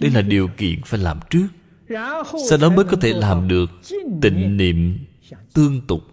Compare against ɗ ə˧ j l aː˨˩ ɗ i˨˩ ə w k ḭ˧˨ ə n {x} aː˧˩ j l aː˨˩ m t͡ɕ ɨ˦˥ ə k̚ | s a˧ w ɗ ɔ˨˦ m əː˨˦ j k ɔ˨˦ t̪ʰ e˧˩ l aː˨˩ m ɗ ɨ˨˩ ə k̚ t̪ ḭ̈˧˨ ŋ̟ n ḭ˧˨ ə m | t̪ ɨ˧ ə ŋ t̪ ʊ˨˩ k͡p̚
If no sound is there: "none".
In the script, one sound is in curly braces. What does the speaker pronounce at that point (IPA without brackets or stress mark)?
f